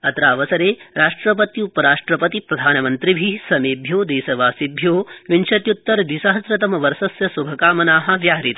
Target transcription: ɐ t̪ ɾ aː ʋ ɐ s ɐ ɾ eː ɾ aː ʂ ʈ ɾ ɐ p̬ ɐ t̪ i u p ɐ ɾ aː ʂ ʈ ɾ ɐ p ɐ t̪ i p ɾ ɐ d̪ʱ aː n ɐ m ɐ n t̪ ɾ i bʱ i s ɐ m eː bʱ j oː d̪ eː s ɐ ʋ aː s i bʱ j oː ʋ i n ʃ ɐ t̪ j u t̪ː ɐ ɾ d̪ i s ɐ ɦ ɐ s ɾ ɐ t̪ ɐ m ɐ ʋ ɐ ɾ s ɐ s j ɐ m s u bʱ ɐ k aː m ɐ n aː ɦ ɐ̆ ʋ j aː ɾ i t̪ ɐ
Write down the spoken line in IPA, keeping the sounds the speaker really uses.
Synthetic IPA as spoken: ɐ t̪ ɾ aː ʋ ɐ s ɐ ɾ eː ɾ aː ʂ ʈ ɾ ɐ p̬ ɐ t̪ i u p ɐ ɾ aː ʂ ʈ ɾ ɐ p ɐ t̪ i p ɾ ɐ d̪ʱ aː n ɐ m ɐ n t̪ ɾ i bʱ i s ɐ m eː bʱ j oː d̪ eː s ɐ ʋ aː s i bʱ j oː ʋ i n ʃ ɐ t̪ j u t̪ː ɐ ɾ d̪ i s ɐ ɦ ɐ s ɾ ɐ t̪ ɐ m ɐ ʋ ɐ ɾ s ɐ s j ɐ s u bʱ ɐ k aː m ɐ n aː ɦ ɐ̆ ʋ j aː ɾ i t̪ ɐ